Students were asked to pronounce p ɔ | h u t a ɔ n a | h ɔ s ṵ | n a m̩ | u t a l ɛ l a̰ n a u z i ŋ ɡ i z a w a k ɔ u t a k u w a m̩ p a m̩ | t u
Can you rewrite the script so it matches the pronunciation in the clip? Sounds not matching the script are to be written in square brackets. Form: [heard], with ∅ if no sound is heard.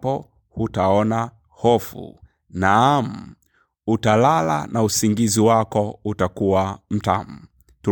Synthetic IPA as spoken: p ɔ | h u t a ɔ n a | h ɔ [f] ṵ | n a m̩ | u t a l [a] l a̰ n a u [s] i ŋ ɡ i z [i] w a k ɔ u t a k u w a m̩ [t] a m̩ | t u